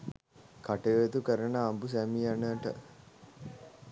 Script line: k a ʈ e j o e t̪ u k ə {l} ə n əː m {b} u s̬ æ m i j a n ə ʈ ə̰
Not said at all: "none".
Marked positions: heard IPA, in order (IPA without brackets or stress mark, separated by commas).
ɾ, b